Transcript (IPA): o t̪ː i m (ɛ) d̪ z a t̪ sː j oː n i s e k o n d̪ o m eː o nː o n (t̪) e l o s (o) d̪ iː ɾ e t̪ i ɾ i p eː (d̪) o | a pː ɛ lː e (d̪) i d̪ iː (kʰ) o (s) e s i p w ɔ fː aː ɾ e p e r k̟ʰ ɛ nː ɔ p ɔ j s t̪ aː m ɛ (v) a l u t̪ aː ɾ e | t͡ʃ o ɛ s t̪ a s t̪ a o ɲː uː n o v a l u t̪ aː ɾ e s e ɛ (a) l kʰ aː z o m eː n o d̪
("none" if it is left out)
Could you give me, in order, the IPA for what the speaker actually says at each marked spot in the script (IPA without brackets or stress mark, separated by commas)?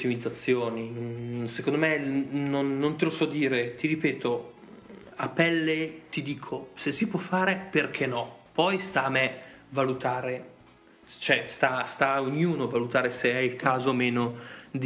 i, t̪, ɔ, t̪, t̪, kʰ, s, v, i